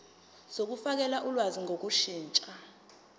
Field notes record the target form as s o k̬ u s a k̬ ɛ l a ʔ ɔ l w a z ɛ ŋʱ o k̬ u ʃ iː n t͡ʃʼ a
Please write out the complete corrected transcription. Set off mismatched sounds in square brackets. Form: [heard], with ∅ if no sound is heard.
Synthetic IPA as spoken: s o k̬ u [f] a k̬ ɛ l a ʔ [u] l w a z [i] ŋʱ o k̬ u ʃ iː n t͡ʃʼ a